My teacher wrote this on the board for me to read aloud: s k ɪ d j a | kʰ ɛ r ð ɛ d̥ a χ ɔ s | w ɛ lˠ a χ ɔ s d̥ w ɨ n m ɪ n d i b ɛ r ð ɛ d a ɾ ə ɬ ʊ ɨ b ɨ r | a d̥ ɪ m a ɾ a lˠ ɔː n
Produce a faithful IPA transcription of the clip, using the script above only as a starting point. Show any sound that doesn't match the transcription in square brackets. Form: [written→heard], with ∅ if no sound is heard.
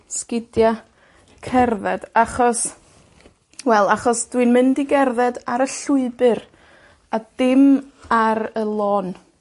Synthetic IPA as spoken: s k ɪ d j a | kʰ ɛ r ð ɛ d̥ a χ ɔ s | w ɛ lˠ a χ ɔ s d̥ w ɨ n m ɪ n d i [b→ɡ] ɛ r ð ɛ d a ɾ ə ɬ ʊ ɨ b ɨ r | a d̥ ɪ m a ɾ [a→ə] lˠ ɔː n